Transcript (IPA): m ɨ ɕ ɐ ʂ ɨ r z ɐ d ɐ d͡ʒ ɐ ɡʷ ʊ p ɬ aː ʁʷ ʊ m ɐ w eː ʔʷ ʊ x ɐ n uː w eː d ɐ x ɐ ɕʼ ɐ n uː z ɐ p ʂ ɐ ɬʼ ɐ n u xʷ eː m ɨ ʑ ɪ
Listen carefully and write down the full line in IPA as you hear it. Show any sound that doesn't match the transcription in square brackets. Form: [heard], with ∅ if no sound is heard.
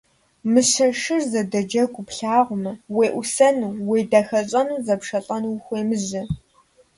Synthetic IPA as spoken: m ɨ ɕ ɐ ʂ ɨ r z ɐ d ɐ d͡ʒ ɐ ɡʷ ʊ p ɬ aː ʁʷ ʊ m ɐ w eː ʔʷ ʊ [s] ɐ n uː w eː d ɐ x ɐ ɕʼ ɐ n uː z ɐ p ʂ ɐ ɬʼ ɐ n u xʷ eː m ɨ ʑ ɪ